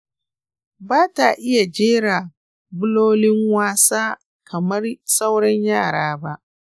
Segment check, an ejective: absent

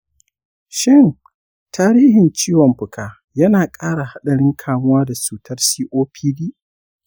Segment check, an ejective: present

